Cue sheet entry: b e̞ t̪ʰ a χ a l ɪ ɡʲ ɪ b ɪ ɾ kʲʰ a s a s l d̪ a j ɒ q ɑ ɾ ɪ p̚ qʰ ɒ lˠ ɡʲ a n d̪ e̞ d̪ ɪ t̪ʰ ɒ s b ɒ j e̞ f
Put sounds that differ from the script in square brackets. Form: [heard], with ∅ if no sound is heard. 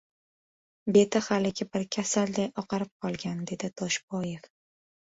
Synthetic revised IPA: b e̞ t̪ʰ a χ a l ɪ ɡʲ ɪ b ɪ ɾ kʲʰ a s a [∅] l d̪ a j ɒ q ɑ ɾ ɪ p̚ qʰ ɒ lˠ ɡʲ a n d̪ e̞ d̪ ɪ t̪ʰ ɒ [ʃ] b ɒ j e̞ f